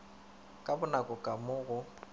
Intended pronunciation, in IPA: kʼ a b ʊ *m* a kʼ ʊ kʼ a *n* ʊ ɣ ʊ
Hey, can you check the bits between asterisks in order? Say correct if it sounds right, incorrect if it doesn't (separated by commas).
incorrect, incorrect